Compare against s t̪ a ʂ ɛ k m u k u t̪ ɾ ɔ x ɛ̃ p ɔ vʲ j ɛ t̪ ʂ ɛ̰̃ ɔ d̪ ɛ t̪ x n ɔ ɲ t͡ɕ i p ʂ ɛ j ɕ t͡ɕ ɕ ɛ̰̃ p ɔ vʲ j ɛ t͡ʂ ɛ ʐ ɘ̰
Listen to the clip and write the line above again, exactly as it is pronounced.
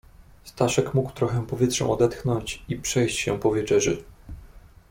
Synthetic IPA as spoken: s t̪ a ʂ ɛ k m u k w t̪ ɾ ɔ x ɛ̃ p ɔ vʲ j ɛ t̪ ʂ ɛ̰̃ ɔ d̪ ɛ t̪ x n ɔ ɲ t͡ɕ i p ʂ ɛ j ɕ t͡ɕ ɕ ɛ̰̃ p ɔ vʲ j ɛ t͡ʂ ɛ ʐ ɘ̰